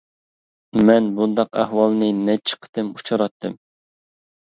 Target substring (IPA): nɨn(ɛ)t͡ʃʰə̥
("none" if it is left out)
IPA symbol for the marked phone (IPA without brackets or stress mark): ɛ